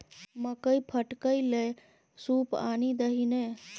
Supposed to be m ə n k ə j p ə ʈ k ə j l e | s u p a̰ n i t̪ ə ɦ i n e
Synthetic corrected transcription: m ə k ə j pʰ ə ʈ k ə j l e | s u p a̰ n i d̪ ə ɦ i n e